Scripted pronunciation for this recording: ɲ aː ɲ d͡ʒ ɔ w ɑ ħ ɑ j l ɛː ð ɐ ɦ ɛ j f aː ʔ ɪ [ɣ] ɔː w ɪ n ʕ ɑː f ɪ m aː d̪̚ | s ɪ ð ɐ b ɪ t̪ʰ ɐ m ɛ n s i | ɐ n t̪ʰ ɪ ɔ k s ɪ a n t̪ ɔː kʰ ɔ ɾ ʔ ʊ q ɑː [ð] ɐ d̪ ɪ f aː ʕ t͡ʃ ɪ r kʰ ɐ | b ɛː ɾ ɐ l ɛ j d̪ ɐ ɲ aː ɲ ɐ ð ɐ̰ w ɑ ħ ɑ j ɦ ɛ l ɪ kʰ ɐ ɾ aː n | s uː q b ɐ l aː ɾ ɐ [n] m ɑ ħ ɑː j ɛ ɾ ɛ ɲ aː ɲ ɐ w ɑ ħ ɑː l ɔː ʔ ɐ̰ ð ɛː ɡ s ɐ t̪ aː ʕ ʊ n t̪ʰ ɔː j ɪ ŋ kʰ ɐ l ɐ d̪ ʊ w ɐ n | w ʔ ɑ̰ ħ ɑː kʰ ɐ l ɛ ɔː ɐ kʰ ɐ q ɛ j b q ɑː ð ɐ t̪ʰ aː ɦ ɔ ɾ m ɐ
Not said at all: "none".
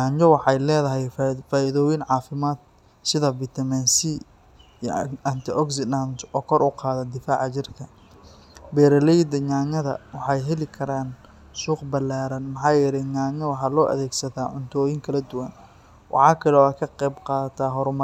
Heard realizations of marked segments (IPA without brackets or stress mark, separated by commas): ð, ð, n